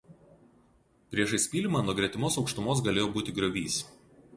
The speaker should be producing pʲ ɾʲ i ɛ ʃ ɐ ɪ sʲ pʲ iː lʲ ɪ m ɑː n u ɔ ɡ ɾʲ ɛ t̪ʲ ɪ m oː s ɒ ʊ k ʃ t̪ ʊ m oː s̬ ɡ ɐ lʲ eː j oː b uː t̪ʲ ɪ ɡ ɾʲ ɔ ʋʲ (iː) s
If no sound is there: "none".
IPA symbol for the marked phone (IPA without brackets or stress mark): iː